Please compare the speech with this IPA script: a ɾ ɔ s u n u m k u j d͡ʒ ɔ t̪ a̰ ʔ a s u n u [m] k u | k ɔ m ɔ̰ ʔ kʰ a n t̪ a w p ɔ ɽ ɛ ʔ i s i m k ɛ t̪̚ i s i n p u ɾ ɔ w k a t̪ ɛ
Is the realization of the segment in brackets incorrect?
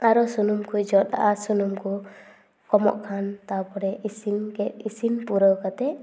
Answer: no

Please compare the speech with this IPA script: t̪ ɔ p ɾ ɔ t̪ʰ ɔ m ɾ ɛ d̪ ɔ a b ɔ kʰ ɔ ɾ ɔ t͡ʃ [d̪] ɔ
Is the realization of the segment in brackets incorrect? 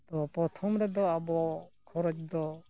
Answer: no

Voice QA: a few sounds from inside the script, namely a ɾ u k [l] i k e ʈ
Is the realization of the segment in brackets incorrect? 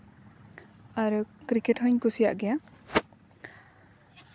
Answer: yes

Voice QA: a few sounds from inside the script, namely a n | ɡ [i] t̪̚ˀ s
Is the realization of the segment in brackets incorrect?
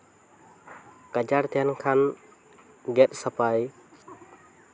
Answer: yes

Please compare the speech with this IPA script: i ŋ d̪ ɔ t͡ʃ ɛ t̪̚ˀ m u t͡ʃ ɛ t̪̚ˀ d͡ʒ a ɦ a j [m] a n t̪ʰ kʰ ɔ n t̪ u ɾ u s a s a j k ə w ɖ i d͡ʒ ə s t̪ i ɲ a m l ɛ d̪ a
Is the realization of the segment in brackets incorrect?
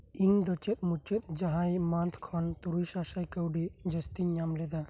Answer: no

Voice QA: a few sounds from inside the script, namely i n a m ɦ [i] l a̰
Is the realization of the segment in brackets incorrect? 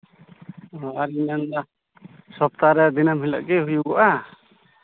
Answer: no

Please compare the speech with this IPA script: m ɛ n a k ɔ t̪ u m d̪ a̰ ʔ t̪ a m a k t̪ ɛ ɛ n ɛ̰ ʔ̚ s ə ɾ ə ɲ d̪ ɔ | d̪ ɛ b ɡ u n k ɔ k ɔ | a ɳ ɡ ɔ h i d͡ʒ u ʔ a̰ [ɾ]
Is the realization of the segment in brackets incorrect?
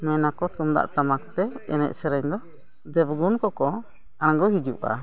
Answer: yes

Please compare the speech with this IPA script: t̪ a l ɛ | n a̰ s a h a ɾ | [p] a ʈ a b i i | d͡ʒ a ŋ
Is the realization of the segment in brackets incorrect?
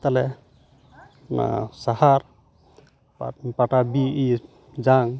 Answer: no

